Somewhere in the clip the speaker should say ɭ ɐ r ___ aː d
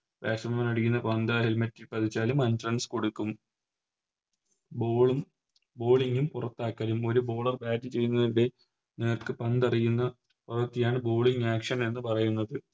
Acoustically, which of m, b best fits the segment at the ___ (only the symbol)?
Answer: b